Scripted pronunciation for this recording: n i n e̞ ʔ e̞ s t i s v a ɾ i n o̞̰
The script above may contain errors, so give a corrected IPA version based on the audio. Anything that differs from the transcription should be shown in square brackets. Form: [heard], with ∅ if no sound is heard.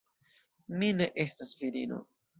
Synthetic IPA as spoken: [m] i n e̞ ʔ e̞ s t [a] s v [i] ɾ i n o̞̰